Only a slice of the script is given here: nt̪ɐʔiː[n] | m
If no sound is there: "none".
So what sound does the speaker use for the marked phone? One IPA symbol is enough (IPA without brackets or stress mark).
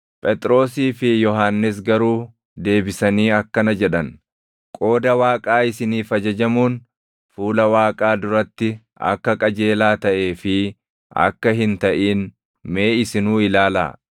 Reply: n